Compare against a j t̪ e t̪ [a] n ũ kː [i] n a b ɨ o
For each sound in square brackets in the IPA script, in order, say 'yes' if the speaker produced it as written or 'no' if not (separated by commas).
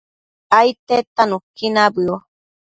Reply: yes, yes